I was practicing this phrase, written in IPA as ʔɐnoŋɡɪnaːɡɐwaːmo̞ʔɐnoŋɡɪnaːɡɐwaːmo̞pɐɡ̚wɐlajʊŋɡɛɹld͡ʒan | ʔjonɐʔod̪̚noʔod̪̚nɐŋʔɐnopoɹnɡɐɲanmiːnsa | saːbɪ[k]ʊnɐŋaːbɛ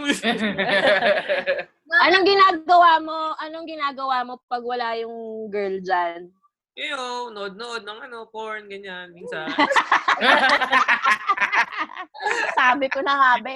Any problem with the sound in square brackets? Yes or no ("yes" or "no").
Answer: no